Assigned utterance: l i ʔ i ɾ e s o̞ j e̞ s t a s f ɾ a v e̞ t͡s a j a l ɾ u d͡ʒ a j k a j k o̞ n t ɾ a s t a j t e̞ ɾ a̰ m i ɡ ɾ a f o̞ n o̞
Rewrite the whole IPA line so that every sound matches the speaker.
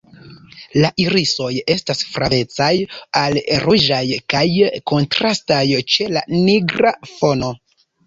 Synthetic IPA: l a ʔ i ɾ i s o̞ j e̞ s t a s f ɾ a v e̞ t͡s a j a l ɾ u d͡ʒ a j k a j k o̞ n t ɾ a s t a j t͡ʃ e̞ l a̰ n i ɡ ɾ a f o̞ n o̞